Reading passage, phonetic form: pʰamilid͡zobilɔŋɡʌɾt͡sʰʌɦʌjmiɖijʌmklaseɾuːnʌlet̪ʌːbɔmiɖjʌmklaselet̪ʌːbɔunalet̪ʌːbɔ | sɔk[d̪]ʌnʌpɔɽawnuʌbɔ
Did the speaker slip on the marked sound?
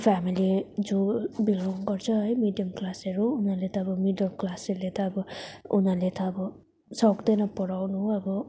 no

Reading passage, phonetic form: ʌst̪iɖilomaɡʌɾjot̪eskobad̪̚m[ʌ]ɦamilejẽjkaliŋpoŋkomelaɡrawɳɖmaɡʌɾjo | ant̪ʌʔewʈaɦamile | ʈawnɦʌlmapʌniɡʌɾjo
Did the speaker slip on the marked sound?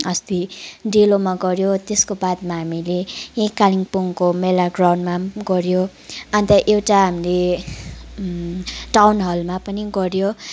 yes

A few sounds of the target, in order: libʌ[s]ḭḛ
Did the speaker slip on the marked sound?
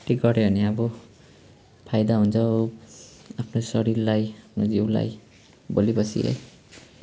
no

